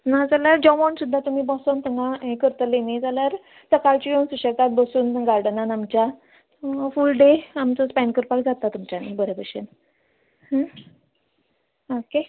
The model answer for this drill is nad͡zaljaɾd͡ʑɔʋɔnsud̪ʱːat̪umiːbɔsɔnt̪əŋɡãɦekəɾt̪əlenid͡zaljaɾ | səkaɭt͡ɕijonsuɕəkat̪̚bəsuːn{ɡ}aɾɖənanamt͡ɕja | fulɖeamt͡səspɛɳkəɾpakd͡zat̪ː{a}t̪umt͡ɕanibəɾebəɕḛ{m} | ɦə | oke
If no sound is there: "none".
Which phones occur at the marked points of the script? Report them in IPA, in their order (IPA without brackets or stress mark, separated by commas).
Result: ɡ, a, n